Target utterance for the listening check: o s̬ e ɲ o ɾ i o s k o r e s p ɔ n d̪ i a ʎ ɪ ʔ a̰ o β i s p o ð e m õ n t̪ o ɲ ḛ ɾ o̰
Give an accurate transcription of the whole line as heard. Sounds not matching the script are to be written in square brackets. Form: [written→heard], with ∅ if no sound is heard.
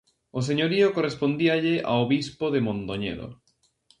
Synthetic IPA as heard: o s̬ e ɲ o ɾ i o [s→∅] k o r e s p [ɔ→o] n d̪ i a ʎ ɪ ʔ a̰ o β i s p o ð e m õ n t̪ o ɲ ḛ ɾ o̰